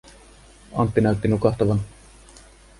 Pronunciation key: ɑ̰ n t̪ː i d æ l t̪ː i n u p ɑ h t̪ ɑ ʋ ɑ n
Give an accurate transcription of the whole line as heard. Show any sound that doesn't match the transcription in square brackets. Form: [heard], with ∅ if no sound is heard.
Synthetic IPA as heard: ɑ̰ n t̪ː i [n] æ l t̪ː i n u [k] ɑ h t̪ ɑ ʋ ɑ n